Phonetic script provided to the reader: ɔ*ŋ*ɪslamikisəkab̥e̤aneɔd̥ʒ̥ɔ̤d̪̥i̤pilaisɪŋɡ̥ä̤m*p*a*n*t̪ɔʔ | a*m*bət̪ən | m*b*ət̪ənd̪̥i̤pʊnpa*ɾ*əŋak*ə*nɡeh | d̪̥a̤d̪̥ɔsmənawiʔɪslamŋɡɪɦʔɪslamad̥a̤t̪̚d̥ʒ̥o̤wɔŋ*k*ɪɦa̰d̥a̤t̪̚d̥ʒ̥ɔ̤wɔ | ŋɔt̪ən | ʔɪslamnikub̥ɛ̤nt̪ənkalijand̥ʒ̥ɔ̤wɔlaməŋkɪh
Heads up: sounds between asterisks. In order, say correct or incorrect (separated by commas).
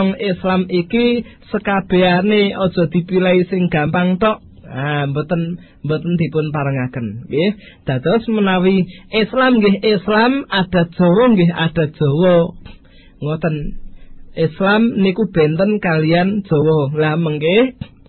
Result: correct, correct, incorrect, correct, correct, correct, correct, incorrect